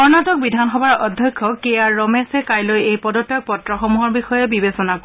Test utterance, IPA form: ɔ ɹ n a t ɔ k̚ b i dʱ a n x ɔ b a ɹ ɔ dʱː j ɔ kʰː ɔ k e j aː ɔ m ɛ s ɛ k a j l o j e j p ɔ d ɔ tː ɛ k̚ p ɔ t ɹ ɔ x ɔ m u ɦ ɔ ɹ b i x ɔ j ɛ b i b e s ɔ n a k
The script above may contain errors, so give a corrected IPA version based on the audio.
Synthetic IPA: ɔ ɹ n a t ɔ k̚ b i dʱ a n x ɔ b a ɹ ɔ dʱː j ɔ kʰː ɔ k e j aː ɔ m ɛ s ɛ k a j l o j e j p ɔ d ɔ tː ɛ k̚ p ɔ t ɹ ɔ x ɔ m u ɦ ɔ ɹ b i x ɔ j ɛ b i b e s ɔ n a k